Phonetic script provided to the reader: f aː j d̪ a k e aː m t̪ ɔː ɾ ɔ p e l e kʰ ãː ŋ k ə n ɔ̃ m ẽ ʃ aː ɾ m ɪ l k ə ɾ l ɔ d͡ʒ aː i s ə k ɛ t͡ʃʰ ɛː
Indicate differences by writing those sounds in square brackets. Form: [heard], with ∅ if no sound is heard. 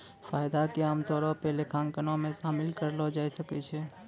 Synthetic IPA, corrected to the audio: f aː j d̪ a k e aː m t̪ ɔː ɾ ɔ p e l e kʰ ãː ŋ k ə n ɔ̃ m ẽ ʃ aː [∅] m ɪ l k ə ɾ l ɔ d͡ʒ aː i s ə k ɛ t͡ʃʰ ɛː